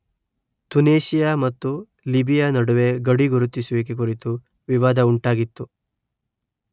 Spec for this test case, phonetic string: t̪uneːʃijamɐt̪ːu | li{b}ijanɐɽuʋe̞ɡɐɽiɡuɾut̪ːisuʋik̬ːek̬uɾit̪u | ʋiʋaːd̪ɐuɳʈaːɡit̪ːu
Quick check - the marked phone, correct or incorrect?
correct